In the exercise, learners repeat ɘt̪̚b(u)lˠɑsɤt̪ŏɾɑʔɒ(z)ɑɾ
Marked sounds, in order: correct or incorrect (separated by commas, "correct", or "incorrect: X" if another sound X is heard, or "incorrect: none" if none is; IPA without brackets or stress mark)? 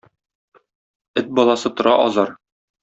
incorrect: ɒ, correct